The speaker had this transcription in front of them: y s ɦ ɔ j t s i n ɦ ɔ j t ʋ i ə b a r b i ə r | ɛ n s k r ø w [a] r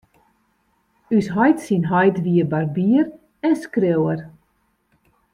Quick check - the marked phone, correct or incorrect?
incorrect